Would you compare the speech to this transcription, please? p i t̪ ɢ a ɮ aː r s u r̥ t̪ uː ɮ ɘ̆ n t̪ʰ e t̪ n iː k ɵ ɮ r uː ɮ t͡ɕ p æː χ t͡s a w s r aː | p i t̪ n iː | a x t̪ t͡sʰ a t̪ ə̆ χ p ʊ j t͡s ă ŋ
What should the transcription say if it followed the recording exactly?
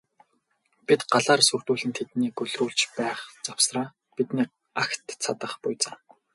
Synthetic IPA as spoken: p i t̪ ɢ a ɮ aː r s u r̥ t̪ uː ɮ ɘ̆ n t̪ʰ e t̪ n iː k ɵ ɮ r uː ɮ t͡ɕ p æː χ t͡s a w s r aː | p i t̪ n iː | a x t̪ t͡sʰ a t̪ ə̆ χ p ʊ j t͡s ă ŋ